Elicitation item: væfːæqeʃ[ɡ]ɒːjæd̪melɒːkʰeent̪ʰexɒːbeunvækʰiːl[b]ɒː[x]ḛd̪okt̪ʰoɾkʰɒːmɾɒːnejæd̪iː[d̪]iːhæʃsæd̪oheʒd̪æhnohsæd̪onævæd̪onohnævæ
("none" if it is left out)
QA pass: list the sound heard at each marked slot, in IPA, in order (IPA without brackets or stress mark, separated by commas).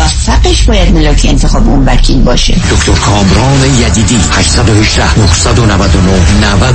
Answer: b, b, ʃ, d̪